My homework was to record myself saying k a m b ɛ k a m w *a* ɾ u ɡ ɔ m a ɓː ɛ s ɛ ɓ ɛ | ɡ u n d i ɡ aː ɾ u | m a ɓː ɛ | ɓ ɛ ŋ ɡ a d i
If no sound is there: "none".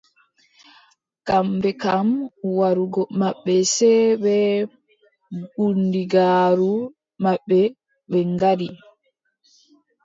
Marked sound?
a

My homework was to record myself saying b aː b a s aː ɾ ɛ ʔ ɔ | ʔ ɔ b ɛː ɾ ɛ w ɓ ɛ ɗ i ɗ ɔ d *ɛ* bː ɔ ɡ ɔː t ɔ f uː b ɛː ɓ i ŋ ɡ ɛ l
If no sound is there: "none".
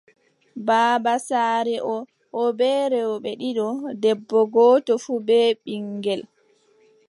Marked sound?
ɛ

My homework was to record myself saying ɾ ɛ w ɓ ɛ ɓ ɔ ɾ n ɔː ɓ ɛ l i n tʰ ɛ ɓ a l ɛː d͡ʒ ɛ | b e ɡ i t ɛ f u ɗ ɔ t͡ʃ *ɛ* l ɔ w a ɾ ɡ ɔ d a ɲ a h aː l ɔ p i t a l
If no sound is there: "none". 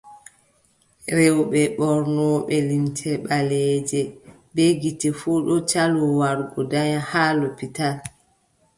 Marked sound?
a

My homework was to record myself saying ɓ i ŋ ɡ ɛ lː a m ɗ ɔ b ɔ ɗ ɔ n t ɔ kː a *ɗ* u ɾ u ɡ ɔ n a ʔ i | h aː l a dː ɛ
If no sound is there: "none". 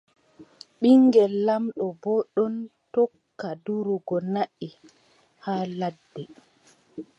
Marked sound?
d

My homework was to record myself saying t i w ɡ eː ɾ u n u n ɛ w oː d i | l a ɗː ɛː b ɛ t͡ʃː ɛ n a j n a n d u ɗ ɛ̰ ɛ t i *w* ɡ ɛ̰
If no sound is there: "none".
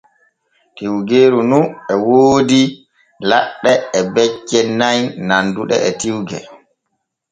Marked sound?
w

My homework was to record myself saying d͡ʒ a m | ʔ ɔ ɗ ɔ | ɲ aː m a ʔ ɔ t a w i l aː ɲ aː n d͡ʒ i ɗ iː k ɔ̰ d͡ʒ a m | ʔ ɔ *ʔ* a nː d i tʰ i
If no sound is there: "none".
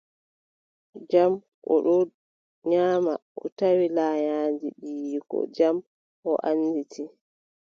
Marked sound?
ʔ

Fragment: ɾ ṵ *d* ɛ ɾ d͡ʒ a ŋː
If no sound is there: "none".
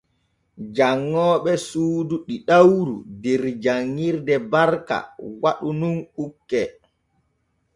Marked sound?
d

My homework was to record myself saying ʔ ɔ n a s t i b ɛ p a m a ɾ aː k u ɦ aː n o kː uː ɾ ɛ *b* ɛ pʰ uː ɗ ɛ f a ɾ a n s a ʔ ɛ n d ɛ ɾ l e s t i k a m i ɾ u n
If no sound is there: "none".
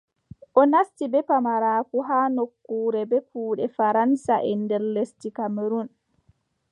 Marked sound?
b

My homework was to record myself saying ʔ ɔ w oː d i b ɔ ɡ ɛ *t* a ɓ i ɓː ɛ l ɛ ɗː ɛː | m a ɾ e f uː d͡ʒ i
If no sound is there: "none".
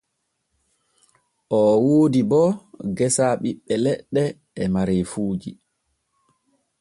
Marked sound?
s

